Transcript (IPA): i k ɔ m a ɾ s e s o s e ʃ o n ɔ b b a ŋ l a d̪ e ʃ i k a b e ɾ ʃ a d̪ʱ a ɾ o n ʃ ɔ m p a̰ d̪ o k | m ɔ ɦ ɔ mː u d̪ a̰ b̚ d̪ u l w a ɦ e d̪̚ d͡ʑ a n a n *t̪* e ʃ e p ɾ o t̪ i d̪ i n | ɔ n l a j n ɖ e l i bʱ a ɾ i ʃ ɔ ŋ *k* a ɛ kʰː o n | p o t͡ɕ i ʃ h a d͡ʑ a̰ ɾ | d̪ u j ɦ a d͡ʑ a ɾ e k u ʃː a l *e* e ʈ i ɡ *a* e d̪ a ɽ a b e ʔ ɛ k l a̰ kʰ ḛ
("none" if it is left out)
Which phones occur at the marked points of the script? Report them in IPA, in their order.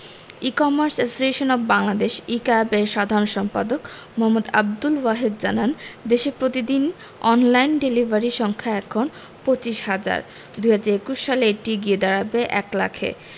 d̪, kʰ, e, i

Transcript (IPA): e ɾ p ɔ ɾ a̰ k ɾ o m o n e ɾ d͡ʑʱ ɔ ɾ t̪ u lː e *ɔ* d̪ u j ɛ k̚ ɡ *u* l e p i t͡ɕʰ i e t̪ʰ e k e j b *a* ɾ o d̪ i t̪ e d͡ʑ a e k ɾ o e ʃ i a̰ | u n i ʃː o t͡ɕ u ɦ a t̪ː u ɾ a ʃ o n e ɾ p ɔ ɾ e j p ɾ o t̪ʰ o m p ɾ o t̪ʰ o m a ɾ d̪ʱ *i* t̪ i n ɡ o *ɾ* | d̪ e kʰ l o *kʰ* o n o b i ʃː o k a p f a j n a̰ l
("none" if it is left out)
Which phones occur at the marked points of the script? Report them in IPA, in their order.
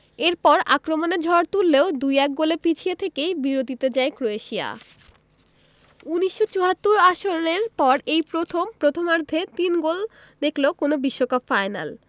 o, o, i, e, l, k

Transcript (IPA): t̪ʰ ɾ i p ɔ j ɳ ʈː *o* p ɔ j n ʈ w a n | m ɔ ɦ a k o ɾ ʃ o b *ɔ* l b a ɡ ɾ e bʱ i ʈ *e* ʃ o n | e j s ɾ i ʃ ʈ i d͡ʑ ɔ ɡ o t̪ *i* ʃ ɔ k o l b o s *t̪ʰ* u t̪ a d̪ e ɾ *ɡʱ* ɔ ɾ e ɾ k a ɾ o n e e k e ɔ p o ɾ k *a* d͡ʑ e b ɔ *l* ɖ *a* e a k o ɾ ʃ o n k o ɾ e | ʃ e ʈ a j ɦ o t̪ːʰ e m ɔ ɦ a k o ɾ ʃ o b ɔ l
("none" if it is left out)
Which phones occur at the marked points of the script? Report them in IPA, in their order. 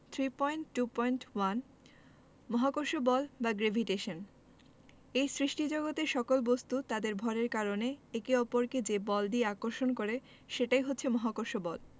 u, ɔ, e, e, t̪, bʱ, e, l, i

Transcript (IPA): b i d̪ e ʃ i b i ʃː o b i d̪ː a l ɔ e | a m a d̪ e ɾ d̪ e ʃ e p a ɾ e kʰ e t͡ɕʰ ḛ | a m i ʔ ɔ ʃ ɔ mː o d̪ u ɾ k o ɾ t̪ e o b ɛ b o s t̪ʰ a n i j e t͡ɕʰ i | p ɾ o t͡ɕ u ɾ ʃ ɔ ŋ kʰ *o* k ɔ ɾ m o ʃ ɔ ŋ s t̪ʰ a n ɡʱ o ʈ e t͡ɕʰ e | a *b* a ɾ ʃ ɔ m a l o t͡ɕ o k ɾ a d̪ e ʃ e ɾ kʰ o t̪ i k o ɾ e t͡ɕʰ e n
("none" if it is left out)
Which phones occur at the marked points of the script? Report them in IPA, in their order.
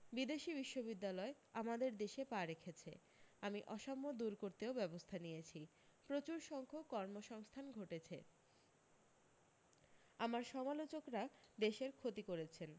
o, m

